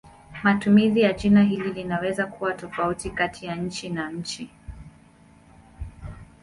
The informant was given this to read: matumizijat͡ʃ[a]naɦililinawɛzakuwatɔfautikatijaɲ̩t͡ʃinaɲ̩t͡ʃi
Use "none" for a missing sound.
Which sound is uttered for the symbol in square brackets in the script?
i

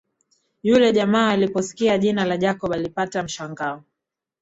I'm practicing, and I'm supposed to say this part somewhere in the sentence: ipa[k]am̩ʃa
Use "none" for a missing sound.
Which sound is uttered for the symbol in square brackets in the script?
t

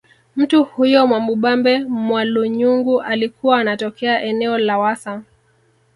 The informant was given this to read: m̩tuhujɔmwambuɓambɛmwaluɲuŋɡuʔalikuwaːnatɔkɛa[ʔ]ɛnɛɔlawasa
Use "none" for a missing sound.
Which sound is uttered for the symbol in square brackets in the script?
ʔ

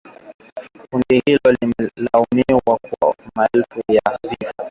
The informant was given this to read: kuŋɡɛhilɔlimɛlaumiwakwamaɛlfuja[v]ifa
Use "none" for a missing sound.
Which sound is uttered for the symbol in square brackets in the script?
v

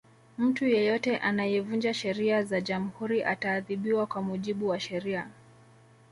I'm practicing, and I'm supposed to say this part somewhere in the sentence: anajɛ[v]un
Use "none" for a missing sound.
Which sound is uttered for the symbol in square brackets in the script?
v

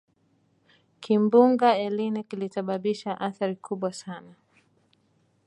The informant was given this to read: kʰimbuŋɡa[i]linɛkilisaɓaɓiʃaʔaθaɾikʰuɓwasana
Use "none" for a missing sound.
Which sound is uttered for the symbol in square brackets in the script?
ɛ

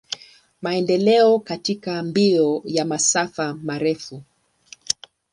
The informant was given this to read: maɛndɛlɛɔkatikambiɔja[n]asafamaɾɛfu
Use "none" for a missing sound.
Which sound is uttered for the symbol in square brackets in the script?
m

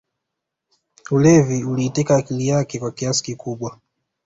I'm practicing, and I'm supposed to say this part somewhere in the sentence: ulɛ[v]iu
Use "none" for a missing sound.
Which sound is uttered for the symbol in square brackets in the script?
v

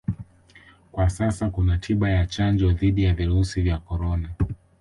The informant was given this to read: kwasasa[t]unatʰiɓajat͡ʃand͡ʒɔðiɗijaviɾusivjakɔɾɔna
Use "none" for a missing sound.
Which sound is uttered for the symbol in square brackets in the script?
k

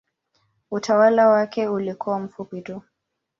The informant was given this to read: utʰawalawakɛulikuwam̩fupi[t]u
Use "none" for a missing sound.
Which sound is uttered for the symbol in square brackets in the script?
t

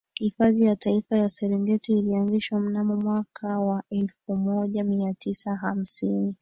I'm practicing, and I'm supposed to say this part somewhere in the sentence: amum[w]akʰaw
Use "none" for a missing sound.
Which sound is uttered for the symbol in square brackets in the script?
w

